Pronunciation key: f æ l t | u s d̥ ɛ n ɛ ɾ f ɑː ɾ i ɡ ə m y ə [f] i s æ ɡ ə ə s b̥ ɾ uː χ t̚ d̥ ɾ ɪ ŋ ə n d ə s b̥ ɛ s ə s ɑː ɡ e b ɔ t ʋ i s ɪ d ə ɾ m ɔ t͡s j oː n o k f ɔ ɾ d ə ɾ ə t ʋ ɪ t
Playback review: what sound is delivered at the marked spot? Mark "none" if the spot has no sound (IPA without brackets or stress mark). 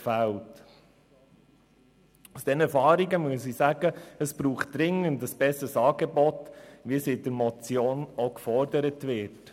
s